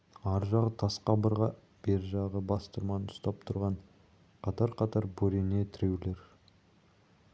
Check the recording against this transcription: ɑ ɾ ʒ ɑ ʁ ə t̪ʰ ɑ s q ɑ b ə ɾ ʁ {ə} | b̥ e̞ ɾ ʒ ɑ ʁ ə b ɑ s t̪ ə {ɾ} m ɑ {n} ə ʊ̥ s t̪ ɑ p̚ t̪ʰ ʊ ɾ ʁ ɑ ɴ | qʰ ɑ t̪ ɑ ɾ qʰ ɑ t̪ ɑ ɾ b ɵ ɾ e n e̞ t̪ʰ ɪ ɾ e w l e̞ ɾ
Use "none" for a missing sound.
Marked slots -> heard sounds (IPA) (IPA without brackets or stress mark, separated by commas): ɑ, ɾ, n